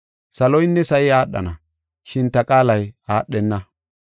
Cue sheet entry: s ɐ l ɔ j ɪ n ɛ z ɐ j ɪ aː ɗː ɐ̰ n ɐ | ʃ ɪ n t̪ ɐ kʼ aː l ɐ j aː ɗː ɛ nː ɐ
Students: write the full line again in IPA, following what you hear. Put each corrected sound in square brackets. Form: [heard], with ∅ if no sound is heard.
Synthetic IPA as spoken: s ɐ l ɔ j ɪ [nː] ɛ [s] ɐ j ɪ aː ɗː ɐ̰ n ɐ | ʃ ɪ n t̪ ɐ kʼ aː l ɐ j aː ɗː ɛ nː ɐ